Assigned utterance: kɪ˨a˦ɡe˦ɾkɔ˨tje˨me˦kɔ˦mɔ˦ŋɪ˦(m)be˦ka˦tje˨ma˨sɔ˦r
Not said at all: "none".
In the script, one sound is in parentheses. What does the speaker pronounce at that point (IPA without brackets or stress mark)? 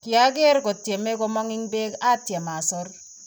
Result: ŋ